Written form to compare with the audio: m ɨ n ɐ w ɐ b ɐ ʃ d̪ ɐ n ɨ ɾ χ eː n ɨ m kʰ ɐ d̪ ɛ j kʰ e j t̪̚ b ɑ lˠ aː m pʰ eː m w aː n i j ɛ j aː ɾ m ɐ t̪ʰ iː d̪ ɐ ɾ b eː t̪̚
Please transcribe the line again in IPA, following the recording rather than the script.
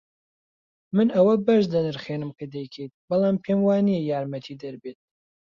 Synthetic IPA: m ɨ n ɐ w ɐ b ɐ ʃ d̪ ɐ n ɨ ɾ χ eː n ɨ m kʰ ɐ d̪ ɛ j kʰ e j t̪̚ b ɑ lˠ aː m pʰ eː m w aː n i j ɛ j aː ɾ m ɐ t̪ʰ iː d̪ ɐ ɾ b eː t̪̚